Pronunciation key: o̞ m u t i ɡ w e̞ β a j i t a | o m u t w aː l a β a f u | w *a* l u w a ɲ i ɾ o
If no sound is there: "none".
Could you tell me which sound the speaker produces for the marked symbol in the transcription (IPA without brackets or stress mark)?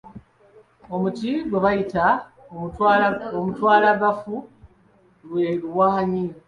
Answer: e